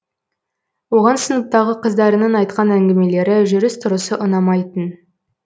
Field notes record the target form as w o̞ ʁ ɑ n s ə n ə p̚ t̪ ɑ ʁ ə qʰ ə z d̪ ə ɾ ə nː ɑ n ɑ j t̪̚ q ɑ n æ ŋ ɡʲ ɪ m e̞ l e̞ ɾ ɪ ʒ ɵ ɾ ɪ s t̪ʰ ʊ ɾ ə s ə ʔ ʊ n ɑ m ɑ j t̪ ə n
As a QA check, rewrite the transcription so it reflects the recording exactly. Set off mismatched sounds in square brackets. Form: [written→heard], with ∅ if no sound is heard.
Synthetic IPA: w o̞ ʁ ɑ n s ə n ə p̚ t̪ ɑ ʁ ə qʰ ə z d̪ [ə→ɑ] ɾ ə [nː→n] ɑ n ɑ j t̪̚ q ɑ n æ ŋ ɡʲ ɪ m e̞ l e̞ ɾ ɪ ʒ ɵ ɾ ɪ s t̪ʰ ʊ ɾ ə s ə ʔ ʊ n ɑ m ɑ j t̪ ə n